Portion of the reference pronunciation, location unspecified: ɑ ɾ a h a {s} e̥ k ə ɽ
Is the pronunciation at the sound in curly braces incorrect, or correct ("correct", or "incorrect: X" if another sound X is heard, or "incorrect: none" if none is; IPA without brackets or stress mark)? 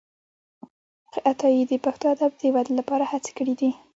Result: incorrect: t͡s